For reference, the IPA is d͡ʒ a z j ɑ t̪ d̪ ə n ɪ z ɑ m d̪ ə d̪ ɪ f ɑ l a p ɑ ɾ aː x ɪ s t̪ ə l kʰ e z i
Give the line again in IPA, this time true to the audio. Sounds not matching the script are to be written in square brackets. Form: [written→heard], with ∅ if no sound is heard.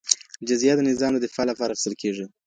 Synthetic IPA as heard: d͡ʒ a z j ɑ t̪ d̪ ə n ɪ z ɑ m d̪ ə d̪ ɪ f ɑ l a p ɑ ɾ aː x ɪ s t̪ ə l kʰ e [z→ʐ] i